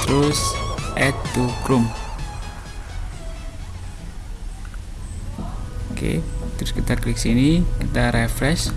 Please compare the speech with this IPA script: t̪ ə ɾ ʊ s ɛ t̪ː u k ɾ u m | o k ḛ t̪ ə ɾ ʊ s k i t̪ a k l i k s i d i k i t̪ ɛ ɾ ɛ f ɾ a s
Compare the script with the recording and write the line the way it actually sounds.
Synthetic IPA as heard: t̪ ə ɾ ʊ s ɛ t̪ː u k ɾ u m | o k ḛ t̪ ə ɾ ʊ s k i t̪ a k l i k s i n i k i t̪ a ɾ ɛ f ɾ ɛ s